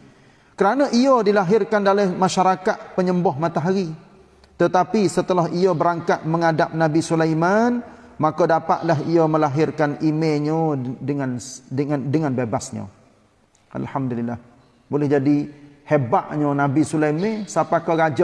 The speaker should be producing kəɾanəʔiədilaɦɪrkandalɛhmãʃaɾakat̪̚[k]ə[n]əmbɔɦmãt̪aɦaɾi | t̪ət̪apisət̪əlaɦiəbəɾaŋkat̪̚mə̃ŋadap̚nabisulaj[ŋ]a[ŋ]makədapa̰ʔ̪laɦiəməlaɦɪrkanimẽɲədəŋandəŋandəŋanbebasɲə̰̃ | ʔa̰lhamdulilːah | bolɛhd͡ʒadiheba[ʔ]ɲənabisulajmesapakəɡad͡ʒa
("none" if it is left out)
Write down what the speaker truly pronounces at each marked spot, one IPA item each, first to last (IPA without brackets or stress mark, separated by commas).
p, ɲ, m, n, ʔ